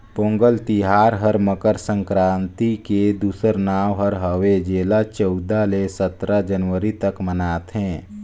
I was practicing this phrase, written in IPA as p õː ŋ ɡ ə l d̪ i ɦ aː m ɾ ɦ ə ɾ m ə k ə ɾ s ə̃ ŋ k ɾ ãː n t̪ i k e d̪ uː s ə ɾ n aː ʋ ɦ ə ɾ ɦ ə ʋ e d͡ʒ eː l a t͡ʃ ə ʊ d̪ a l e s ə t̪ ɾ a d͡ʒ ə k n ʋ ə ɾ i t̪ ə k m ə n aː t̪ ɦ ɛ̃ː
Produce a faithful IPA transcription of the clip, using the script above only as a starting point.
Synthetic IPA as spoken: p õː ŋ ɡ ə l t̪ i ɦ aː ɾ ɦ ə ɾ m ə k ə ɾ s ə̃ ŋ k ɾ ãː n t̪ i k e d̪ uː s ə ɾ n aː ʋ ɦ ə ɾ ɦ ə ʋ e d͡ʒ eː l a t͡ʃ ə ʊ d̪ a l e s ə t̪ ɾ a d͡ʒ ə n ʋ ə ɾ i t̪ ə k m ə n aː t̪ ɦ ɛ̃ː